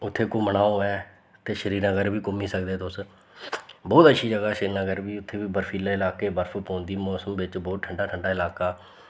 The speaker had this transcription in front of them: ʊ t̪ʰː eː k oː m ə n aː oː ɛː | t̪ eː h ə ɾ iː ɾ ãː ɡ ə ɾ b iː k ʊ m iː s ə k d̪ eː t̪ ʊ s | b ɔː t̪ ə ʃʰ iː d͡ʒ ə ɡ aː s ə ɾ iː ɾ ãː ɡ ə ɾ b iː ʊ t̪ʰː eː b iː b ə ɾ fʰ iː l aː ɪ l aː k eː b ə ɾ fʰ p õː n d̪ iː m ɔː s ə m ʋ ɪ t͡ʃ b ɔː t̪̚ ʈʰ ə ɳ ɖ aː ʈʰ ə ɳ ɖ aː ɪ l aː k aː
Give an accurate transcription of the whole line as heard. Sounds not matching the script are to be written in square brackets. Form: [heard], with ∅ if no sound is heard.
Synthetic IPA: ʊ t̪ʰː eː k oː m ə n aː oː ɛː | t̪ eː [ʃ] ə ɾ iː ɾ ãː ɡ ə ɾ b iː k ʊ m iː s ə k d̪ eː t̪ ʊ s | b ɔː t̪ ə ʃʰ iː d͡ʒ ə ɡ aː [ʃ] ə ɾ iː ɾ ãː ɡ ə ɾ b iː ʊ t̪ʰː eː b iː b ə ɾ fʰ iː l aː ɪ l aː k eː b ə ɾ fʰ p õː n d̪ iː m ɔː s ə m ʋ ɪ t͡ʃ b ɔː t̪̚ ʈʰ ə ɳ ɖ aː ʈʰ ə ɳ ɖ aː ɪ l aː k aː